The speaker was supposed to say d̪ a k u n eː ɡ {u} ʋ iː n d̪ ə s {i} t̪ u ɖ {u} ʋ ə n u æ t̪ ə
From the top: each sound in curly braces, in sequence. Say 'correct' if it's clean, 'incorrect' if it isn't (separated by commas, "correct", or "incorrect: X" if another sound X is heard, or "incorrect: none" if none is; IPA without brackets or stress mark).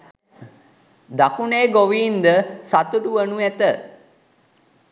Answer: incorrect: o, incorrect: a, correct